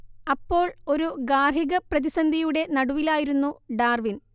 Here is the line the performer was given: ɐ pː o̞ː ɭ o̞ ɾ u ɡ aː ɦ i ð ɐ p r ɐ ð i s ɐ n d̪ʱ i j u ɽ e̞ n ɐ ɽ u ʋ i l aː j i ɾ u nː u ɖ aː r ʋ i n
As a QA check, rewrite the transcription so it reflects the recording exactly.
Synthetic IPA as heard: ɐ pː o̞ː ɭ o̞ ɾ u ɡ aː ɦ i ɣ ɐ p r ɐ ð i s ɐ n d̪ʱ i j u ɽ e̞ n ɐ ɽ u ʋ i l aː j i ɾ u nː u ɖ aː r ʋ i n